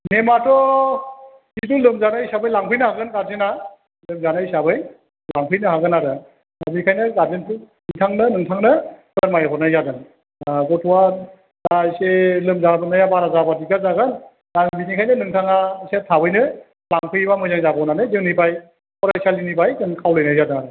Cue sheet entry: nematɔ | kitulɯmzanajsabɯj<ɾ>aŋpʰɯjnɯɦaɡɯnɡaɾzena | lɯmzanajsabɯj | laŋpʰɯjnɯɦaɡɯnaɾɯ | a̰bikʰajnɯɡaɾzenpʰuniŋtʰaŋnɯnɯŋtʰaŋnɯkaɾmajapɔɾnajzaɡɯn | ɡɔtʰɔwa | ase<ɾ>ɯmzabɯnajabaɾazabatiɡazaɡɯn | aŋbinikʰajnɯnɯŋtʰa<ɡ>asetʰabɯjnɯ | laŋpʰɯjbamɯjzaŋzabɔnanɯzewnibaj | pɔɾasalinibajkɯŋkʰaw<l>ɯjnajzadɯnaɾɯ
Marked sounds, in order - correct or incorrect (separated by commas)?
incorrect, incorrect, incorrect, correct